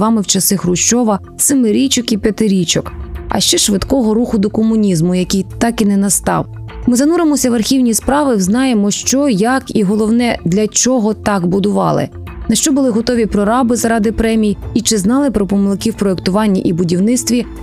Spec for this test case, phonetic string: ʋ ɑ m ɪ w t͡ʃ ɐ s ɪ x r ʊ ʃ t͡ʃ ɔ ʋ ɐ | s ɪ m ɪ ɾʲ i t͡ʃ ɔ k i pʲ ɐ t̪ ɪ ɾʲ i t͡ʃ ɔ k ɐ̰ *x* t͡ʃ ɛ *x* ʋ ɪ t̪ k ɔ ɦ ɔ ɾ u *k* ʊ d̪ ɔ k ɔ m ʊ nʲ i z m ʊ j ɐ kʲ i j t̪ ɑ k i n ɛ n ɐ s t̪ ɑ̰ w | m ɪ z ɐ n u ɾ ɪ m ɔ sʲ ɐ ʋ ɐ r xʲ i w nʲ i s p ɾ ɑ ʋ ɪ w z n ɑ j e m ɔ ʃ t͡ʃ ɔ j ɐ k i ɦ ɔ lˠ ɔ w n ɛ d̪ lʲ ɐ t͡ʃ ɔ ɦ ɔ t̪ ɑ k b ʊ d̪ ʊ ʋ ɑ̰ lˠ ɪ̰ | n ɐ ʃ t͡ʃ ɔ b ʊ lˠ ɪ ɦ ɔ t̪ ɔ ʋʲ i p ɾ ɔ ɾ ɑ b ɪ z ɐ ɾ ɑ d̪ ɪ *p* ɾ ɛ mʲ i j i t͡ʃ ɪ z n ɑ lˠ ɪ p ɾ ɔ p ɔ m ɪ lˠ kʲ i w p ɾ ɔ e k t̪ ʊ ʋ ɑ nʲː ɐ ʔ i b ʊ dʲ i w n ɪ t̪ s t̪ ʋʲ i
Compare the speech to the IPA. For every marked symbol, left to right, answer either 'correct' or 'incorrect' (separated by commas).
incorrect, incorrect, incorrect, correct